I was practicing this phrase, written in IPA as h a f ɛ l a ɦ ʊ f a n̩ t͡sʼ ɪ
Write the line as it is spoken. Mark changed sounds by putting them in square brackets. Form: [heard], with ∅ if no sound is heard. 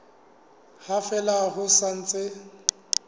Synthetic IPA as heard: h a f ɛ l a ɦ ʊ [s] a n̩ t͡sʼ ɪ